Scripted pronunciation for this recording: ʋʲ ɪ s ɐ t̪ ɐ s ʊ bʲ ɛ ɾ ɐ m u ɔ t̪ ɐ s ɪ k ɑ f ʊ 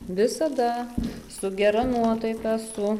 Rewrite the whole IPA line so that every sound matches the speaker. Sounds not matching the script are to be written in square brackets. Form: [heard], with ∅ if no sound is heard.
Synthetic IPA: ʋʲ ɪ s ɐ [d̪] ɐ s ʊ [ɡʲ] ɛ ɾ ɐ [n] u ɔ t̪ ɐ [∅] ɪ k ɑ [s] ʊ